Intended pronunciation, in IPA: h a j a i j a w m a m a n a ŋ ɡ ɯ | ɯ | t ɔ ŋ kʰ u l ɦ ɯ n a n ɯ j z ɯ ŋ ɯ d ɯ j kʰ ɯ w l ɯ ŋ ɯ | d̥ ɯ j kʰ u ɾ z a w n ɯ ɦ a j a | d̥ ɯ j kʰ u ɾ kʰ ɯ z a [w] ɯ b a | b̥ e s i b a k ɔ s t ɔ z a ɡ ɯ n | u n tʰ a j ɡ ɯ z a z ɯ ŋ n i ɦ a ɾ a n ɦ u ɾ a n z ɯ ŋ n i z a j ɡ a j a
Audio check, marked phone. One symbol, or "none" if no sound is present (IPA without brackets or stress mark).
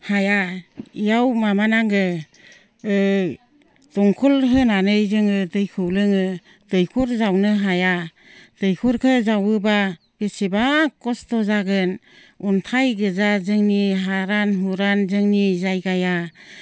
w